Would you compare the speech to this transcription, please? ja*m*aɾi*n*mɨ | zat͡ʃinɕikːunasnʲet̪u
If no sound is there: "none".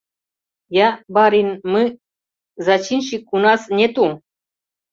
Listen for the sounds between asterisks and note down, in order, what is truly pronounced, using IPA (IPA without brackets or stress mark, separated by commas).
b, n